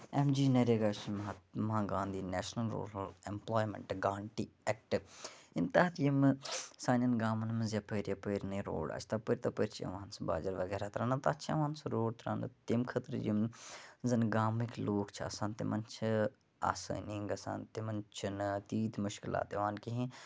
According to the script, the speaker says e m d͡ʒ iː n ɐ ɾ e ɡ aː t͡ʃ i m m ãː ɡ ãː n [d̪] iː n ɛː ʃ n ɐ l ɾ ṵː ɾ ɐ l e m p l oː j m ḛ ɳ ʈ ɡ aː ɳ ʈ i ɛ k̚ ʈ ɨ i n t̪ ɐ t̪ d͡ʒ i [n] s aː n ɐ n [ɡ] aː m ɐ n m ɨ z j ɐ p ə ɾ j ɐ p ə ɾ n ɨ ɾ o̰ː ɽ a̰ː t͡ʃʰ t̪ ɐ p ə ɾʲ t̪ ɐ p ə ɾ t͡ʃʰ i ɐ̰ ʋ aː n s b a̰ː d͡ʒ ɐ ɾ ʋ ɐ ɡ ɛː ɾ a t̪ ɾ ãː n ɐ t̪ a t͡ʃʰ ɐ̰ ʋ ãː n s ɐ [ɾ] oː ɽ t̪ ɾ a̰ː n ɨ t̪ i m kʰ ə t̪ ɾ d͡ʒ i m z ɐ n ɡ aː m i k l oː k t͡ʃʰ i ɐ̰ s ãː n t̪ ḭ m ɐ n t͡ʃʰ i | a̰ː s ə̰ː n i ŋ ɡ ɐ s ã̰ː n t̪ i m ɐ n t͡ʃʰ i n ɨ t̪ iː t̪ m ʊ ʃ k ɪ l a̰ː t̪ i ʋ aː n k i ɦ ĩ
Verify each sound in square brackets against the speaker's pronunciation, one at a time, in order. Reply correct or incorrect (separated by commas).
correct, incorrect, correct, correct